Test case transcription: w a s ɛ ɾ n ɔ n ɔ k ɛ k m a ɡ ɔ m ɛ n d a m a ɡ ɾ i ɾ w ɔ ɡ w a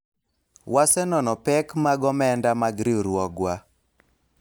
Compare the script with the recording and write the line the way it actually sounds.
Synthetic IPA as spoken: w a s ɛ n ɔ n ɔ p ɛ k m a ɡ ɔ m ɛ n d a m a ɡ ɾ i ɾ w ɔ ɡ w a